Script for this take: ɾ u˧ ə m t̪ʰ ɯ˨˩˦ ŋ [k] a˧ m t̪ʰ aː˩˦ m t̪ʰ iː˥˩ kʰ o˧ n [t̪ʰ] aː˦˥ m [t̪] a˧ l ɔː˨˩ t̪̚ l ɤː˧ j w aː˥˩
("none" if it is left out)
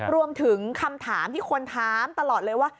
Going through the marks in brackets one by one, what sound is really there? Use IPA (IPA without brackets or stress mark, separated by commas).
kʰ, t̪ʰ, t̪